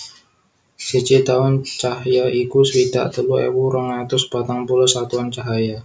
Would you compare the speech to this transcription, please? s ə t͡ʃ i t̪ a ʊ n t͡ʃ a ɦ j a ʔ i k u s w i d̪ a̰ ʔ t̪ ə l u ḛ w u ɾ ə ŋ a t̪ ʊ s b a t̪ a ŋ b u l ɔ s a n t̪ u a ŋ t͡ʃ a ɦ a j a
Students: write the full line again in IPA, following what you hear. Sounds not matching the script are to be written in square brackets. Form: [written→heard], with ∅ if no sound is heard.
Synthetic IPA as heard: s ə t͡ʃ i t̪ a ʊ n t͡ʃ a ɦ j a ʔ i k u s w i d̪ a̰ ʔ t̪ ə l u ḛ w u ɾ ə ŋ a t̪ ʊ s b a t̪ a ŋ [b→p] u l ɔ s a [n→∅] t̪ u a [ŋ→n] t͡ʃ a ɦ a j a